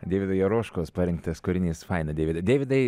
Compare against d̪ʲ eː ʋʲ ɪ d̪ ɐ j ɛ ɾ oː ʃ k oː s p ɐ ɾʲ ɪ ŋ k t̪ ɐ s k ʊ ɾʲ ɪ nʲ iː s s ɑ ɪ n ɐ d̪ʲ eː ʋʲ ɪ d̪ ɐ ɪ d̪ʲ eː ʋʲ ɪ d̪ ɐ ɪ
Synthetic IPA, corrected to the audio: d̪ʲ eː ʋʲ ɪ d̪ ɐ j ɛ ɾ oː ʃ k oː s p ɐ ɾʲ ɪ ŋ k t̪ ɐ s k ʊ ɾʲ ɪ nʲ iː s f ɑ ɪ n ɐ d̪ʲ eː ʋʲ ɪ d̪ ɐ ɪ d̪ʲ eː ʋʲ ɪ d̪ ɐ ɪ